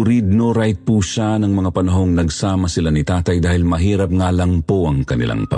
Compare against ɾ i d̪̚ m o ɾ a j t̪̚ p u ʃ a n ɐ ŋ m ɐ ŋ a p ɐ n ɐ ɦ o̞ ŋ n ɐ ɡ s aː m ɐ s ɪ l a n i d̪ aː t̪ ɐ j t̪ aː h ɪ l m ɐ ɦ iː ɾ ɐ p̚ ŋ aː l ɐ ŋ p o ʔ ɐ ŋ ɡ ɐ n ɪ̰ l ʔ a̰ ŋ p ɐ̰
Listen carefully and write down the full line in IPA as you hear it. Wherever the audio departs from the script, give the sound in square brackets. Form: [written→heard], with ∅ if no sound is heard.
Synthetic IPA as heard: ɾ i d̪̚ [m→n] o ɾ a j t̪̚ p u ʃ a n ɐ ŋ m ɐ ŋ a p ɐ n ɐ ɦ o̞ ŋ n ɐ ɡ s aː m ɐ s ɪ l a n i [d̪→t̪] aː t̪ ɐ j [t̪→d̪] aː h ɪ l m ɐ ɦ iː ɾ ɐ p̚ ŋ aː l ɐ ŋ p o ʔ ɐ ŋ [ɡ→k] ɐ n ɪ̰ l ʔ a̰ ŋ p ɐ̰